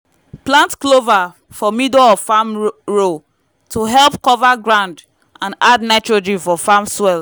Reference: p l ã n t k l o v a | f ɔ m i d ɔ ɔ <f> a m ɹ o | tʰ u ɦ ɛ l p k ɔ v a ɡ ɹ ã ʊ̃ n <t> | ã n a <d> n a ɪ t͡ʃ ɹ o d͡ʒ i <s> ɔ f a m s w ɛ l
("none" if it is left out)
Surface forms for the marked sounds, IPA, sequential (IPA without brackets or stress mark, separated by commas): f, d, d, f